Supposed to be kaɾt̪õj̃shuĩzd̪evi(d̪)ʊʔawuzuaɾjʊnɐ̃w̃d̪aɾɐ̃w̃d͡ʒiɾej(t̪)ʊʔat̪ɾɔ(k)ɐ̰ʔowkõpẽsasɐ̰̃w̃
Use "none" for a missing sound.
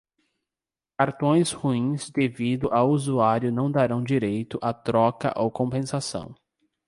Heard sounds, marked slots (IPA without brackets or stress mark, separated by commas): d̪, t̪, k